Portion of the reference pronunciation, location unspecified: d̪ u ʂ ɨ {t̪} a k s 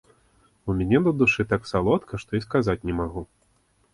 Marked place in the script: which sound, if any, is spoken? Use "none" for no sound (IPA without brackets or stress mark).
t̪